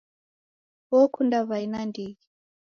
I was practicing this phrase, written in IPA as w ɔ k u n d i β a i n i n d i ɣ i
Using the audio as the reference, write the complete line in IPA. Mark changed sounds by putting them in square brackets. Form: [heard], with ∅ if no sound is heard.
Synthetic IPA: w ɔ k u n d [a] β a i n [a] n d i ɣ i